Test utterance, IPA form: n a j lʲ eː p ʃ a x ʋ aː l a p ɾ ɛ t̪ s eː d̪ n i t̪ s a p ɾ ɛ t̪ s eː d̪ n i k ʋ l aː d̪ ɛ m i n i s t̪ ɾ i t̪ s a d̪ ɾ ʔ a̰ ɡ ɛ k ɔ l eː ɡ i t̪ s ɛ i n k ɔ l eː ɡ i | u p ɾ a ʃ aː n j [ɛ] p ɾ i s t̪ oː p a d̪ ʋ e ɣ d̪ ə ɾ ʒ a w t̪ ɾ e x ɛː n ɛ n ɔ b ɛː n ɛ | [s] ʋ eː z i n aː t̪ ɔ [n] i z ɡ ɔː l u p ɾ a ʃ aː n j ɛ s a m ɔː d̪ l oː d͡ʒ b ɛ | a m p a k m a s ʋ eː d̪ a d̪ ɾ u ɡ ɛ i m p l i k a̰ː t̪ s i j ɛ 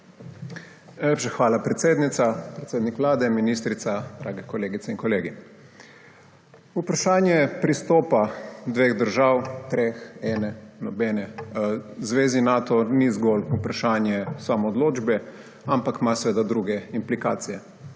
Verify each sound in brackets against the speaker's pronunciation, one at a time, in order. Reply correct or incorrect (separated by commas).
correct, incorrect, correct